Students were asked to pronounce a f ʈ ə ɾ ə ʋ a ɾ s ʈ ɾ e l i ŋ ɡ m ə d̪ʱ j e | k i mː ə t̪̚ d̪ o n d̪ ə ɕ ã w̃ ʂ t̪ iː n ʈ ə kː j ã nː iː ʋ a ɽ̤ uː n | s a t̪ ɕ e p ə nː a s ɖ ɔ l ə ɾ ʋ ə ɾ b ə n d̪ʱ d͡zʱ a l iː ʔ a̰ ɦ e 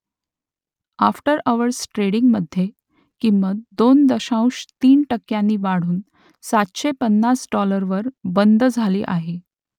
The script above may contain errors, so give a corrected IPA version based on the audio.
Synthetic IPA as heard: a f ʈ ə ɾ ə ʋ ə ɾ s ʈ ɾ e ɽ i ŋ ɡ m ə d̪ʱ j e | k i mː ə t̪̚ d̪ o n d̪ ə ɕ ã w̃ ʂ t̪ iː n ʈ ə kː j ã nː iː ʋ a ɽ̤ uː n | s a t̪ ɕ e p ə nː a s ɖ ɔ l ə ɾ ʋ ə ɾ b ə n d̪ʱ d͡zʱ a l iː ʔ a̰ ɦ e